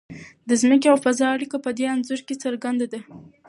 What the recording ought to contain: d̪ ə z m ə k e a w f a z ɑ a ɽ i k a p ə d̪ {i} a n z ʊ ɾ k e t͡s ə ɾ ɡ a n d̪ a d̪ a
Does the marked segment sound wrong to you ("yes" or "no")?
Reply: yes